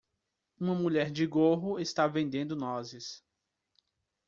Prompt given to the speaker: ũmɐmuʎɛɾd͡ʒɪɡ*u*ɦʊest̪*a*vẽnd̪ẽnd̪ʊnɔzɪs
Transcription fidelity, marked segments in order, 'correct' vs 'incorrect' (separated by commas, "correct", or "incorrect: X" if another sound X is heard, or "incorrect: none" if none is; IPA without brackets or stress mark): incorrect: o, correct